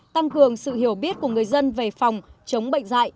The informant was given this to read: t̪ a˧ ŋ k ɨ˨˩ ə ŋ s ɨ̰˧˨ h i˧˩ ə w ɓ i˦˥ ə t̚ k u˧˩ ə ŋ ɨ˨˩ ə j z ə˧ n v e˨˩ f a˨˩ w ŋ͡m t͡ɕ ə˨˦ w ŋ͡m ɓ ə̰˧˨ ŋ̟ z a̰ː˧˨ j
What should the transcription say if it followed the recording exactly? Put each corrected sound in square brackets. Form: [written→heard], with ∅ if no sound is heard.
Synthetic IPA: t̪ a˧ ŋ k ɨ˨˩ ə ŋ s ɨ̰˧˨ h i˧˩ ə w ɓ i˦˥ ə t̚ k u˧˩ ə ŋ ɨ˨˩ ə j z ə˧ n v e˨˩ f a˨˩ w ŋ͡m t͡ɕ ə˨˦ w ŋ͡m ɓ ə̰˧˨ ŋ̟ z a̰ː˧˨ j

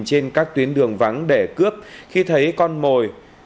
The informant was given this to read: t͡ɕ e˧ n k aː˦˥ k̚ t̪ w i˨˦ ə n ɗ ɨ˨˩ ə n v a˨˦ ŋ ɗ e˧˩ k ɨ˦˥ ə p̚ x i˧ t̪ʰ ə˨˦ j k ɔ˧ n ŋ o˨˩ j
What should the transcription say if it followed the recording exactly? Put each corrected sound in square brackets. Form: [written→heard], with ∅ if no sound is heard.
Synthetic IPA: t͡ɕ e˧ n k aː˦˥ k̚ t̪ w i˨˦ ə n ɗ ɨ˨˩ ə [n→ŋ] v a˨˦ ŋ ɗ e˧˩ k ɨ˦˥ ə p̚ x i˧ t̪ʰ ə˨˦ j k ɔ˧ n [ŋ→m] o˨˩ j

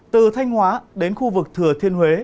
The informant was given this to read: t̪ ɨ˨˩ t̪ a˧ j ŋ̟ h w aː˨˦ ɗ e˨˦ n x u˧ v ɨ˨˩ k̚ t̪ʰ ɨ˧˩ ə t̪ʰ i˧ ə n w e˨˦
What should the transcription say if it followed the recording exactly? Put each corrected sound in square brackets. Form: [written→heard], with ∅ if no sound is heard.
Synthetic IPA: t̪ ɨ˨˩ [t̪→t̪ʰ] a˧ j ŋ̟ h w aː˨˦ ɗ e˨˦ n x u˧ v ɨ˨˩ k̚ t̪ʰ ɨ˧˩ ə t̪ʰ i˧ ə n w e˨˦

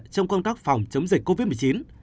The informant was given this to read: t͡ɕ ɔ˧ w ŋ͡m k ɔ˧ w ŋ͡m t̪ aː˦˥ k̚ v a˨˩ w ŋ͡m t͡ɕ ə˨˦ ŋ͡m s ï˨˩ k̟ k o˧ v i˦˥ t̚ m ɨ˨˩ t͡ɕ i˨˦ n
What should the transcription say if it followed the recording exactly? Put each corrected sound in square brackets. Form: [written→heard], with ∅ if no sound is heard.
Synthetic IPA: t͡ɕ ɔ˧ w ŋ͡m k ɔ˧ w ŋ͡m t̪ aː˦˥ k̚ [v→f] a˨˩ w ŋ͡m t͡ɕ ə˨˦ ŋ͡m [s→z] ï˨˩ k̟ k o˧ v i˦˥ t̚ m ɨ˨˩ t͡ɕ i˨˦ n

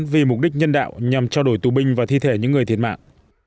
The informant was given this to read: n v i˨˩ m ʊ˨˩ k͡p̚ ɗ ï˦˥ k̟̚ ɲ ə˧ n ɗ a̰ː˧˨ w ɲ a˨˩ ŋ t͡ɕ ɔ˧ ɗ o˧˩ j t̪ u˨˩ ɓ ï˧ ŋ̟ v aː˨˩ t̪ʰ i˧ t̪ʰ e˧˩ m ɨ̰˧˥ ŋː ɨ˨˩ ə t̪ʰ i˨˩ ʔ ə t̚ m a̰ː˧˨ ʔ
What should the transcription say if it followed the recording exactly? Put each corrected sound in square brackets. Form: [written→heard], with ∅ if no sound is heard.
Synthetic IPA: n v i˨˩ m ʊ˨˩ k͡p̚ ɗ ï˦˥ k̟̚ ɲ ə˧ n ɗ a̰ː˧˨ w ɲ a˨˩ [ŋ→m] t͡ɕ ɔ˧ ɗ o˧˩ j t̪ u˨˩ ɓ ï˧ ŋ̟ v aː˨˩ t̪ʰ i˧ t̪ʰ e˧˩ [m→ɲ] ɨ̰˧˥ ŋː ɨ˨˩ ə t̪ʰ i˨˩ [ʔ→∅] ə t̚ m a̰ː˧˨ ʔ

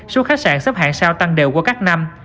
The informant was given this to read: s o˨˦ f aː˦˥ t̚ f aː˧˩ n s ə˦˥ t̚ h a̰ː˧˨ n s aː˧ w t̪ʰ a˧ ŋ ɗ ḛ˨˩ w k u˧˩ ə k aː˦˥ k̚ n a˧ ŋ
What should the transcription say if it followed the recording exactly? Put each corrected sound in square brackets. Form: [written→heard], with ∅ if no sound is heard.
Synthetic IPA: s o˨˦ [f→x] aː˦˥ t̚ [f→s] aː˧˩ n s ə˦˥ [t̚→p̚] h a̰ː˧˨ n s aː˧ w [t̪ʰ→t̪] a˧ ŋ ɗ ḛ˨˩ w k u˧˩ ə k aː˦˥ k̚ n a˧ [ŋ→m]

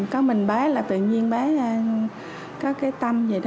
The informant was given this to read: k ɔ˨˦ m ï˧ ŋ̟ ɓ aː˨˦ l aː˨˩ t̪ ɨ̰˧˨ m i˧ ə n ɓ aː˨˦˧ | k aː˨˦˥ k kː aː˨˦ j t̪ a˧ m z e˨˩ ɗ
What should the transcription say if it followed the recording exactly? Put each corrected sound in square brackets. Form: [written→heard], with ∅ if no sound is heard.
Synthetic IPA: k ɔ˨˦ m [ï˧→ï˨˩] ŋ̟ ɓ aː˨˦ l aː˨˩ t̪ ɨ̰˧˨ [m→ɲ] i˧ ə n ɓ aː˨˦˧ | k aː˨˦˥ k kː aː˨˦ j t̪ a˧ m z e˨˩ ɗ

